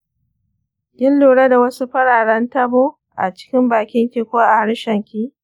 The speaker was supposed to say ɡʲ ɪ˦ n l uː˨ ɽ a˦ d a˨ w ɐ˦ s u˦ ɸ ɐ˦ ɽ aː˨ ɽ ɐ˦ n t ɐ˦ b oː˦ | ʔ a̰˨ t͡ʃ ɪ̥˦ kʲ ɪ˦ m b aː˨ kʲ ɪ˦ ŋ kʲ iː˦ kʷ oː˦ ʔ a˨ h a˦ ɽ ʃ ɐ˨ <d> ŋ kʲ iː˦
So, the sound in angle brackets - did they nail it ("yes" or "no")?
no